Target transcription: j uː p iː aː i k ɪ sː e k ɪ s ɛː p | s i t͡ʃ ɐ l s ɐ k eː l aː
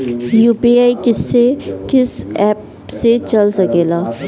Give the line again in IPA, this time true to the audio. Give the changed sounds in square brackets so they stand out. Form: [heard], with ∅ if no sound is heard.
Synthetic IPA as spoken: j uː p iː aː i k ɪ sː e k ɪ s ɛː p | s [e] t͡ʃ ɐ l s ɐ k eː l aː